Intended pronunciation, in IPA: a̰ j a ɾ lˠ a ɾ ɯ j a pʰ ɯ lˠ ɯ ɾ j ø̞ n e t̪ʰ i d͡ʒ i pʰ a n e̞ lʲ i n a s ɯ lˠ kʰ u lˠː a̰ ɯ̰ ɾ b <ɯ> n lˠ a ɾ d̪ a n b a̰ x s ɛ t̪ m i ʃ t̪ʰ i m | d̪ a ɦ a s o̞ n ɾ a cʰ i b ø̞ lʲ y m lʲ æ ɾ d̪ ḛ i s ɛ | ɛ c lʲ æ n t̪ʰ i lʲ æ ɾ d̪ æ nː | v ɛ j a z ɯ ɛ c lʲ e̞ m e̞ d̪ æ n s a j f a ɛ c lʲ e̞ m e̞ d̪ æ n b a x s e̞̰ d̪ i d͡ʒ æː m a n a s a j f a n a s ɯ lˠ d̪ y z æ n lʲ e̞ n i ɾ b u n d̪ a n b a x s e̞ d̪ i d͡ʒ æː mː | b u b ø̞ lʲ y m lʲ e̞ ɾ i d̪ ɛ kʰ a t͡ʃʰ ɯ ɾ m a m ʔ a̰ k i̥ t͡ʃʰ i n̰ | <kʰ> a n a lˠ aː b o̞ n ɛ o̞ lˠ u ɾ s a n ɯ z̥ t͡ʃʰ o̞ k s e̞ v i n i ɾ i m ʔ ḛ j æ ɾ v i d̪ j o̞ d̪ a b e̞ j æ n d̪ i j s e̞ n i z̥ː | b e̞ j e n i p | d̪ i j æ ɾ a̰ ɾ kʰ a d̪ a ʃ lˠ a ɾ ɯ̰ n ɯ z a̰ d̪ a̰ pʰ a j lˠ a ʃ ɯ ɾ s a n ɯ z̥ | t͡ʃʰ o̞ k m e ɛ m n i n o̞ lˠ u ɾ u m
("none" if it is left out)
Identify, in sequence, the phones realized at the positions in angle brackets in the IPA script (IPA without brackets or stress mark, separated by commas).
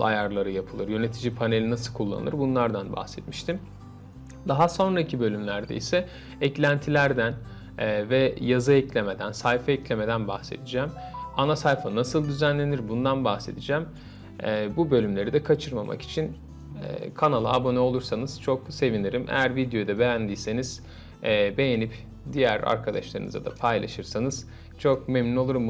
u, kʰ